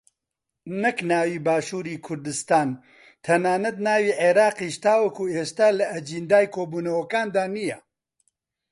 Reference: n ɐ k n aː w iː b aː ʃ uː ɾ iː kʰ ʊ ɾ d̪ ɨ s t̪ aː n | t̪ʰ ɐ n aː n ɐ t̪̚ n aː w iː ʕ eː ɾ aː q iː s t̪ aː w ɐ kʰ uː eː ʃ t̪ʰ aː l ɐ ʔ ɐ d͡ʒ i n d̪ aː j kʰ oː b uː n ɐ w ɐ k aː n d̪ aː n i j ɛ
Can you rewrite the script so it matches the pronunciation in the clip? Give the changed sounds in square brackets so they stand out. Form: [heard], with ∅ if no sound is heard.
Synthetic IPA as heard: n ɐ k n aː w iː b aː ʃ uː ɾ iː kʰ ʊ ɾ d̪ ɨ s t̪ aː n | t̪ʰ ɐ n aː n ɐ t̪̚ n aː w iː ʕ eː ɾ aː q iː [ʃ] t̪ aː w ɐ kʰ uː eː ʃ [t̪] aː l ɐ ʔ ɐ d͡ʒ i n d̪ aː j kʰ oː b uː n ɐ w ɐ k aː n d̪ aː n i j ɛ